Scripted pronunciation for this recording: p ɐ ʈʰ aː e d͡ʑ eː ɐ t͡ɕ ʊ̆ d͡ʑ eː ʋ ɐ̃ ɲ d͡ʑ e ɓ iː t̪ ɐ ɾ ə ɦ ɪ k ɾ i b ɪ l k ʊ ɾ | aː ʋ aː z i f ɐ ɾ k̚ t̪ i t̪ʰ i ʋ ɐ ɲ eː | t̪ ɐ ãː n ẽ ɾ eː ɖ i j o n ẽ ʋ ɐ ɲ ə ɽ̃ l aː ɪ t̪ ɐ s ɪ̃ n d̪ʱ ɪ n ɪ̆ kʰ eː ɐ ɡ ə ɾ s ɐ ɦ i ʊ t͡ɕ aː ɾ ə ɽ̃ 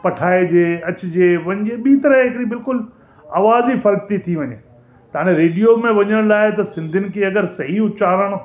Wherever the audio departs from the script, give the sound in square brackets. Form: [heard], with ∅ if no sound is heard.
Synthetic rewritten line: p ɐ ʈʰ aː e d͡ʑ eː ɐ t͡ɕ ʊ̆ d͡ʑ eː ʋ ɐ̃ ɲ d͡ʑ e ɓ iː t̪ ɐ ɾ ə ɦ ɪ k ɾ i b ɪ l k ʊ [l] | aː ʋ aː z i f ɐ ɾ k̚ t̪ i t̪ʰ i ʋ ɐ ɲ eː | t̪ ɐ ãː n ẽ ɾ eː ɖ i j o [m] ẽ ʋ ɐ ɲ ə ɽ̃ l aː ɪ t̪ ɐ s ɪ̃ n d̪ʱ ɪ n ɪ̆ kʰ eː ɐ ɡ ə ɾ s ɐ ɦ i ʊ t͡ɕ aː ɾ ə ɽ̃